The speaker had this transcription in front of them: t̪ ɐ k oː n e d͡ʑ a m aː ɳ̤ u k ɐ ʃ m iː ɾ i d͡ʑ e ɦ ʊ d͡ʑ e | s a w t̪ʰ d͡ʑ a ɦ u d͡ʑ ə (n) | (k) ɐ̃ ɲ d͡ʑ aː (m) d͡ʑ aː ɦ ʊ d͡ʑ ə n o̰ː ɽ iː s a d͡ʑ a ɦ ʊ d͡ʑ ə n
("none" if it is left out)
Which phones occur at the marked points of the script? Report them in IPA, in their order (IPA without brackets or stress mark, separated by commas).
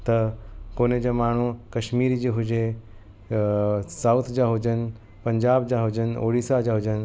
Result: n, p, b